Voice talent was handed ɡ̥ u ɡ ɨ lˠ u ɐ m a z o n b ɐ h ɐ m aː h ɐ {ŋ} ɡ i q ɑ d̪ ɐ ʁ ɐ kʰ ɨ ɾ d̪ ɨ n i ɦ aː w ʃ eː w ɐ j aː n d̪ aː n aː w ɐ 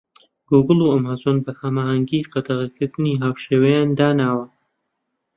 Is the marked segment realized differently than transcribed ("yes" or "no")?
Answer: no